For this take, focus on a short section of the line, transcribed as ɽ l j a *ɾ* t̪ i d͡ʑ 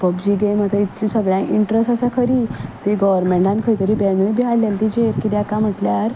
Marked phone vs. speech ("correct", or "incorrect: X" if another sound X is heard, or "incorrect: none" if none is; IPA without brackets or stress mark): incorrect: l